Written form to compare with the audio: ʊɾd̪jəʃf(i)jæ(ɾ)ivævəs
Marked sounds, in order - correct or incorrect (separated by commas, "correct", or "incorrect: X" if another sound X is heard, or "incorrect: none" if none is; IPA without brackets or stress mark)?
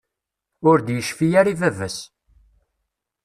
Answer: correct, correct